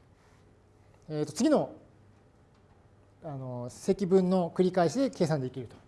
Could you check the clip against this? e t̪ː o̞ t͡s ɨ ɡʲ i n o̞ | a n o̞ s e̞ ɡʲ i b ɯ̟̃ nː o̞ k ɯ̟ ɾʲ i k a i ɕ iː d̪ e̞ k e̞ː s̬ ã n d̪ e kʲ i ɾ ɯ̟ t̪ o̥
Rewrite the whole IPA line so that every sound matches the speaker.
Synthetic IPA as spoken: e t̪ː o̞ t͡s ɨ ɡʲ i n o̞ | a n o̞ s e̞ kʲ i b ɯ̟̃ nː o̞ k ɯ̟ ɾʲ i k a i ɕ i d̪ e̞ k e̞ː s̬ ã n d̪ e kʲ i ɾ ɯ̟ t̪ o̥

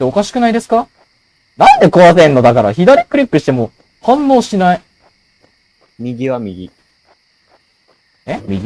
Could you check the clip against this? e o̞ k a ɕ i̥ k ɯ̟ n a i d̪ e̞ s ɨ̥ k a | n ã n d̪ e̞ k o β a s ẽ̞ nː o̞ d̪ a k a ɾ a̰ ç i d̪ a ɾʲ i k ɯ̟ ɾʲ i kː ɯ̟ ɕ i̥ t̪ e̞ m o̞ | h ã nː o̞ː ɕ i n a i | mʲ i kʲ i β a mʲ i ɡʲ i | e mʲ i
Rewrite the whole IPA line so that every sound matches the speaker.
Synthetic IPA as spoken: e o̞ k a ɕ i̥ k ɯ̟ n a i d̪ e̞ s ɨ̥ k a | n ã n d̪ e̞ k o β a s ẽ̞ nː o̞ d̪ a k a ɾ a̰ ç i d̪ a ɾʲ i k ɯ̟ ɾʲ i kː ɯ̟ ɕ i̥ t̪ e̞ m o̞ | h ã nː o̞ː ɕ i n a i | mʲ i ɡʲ i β a mʲ i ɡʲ i | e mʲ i

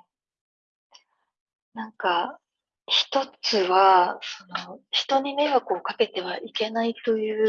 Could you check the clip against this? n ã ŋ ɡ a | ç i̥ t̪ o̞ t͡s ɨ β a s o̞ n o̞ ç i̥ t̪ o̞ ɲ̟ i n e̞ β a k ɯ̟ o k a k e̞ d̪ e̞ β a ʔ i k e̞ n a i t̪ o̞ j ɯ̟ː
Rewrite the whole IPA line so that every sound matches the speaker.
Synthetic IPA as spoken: n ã ŋ k a | ç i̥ t̪ o̞ t͡s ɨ β a s o̞ n o̞ ç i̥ t̪ o̞ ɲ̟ i m e̞ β a k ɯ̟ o k a k e̞ t̪ e̞ β a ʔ i k e̞ n a i t̪ o̞ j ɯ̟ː

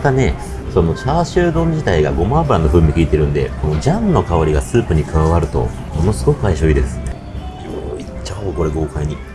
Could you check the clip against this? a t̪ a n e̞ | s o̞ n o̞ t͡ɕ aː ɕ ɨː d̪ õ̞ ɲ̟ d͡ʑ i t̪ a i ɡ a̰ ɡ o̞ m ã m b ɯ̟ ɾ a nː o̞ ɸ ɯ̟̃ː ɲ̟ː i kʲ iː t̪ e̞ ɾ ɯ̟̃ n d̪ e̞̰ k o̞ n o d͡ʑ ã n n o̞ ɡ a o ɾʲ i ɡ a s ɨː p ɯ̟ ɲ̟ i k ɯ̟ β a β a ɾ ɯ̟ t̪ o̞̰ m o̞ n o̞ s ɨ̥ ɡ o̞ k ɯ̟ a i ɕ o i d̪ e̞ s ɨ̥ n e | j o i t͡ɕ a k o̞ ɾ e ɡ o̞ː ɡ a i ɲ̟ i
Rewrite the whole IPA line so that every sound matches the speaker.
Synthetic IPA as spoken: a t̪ a n e̞ | s o̞ n o̞ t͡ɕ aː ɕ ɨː d̪ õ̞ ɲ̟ d͡ʑ i t̪ a i ɡ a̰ ɡ o̞ m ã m b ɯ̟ ɾ a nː o̞ ɸ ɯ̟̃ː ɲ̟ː i kʲ iː t̪ e̞ ɾ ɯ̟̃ n d̪ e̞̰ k o̞ n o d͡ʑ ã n n o̞ k a o ɾʲ i ɡ a s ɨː p ɯ̟ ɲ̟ i k ɯ̟ β a β a ɾ ɯ̟ t̪ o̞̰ m o̞ n o̞ s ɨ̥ ɡ o̞ k ɯ̟ a i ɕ o i d̪ e̞ s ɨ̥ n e | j o i t͡ɕ a k o̞ ɾ e ɡ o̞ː k a i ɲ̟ i

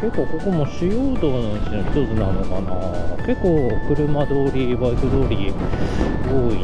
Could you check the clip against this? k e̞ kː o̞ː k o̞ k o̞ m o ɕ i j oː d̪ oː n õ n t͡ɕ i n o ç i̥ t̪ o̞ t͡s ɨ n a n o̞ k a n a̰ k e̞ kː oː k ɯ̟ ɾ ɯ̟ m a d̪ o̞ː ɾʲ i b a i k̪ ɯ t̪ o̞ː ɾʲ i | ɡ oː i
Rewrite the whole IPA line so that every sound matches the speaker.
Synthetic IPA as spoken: k e̞ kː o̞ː k o̞ k o̞ m o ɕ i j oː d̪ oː n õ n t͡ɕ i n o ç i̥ t̪ o̞ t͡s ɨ n a n o̞ k a n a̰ k e̞ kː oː k ɯ̟ ɾ ɯ̟ m a d̪ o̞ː ɾʲ i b a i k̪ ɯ d̪ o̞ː ɾʲ i | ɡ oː i

